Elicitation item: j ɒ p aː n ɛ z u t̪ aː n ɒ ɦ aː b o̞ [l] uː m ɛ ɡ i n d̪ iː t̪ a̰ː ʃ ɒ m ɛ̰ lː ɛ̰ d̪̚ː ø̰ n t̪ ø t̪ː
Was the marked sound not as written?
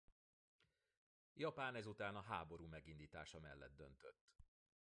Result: yes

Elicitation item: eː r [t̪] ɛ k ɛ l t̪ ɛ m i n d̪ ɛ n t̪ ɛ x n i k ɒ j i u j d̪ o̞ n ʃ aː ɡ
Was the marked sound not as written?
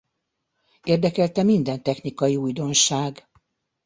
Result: yes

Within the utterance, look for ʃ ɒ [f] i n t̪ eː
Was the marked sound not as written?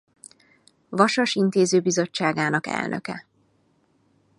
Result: yes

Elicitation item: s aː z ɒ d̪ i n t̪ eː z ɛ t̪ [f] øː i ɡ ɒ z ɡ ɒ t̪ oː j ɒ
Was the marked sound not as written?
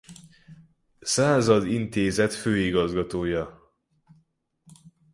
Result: no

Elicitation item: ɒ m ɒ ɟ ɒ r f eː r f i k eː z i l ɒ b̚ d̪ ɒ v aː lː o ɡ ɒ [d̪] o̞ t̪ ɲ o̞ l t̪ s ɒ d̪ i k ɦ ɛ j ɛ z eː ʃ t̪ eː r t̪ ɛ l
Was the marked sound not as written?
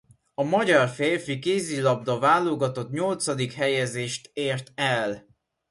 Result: yes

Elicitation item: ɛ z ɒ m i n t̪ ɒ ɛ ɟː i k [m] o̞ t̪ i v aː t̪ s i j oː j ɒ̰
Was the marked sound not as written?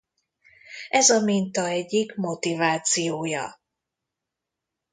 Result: no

